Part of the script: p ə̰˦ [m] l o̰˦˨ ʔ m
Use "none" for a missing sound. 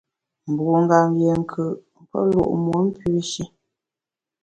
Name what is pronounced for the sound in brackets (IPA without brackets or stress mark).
none